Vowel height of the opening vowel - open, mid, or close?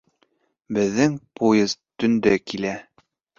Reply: mid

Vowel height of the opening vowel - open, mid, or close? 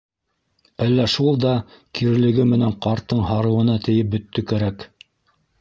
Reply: open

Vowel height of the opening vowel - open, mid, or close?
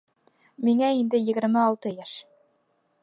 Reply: close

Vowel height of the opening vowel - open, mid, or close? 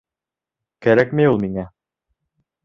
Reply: open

